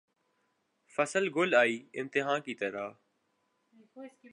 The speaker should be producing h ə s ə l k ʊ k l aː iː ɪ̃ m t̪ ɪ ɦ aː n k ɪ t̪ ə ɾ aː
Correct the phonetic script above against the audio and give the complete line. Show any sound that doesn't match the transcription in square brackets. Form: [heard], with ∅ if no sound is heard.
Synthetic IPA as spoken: [f] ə s ə l [ɡ] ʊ [∅] l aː iː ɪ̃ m t̪ ɪ ɦ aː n k [i] t̪ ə ɾ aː